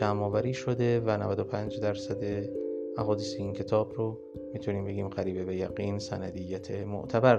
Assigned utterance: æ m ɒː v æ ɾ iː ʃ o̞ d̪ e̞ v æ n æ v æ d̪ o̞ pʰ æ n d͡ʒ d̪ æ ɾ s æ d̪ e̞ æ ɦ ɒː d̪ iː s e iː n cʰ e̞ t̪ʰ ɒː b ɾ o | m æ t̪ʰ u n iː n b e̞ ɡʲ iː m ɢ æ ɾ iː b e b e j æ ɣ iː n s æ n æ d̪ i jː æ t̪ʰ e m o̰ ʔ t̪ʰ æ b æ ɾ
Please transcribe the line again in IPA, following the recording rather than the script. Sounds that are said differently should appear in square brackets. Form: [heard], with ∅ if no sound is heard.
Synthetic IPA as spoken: æ m ɒː v æ ɾ iː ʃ o̞ d̪ e̞ v æ n æ v æ d̪ o̞ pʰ æ n d͡ʒ d̪ æ ɾ s æ d̪ e̞ æ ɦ ɒː d̪ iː s e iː n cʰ e̞ t̪ʰ ɒː b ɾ o | m [i] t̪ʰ u n iː [m] b e̞ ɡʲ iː m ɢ æ ɾ iː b e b e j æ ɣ iː n s æ n æ d̪ i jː æ t̪ʰ e m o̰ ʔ t̪ʰ æ b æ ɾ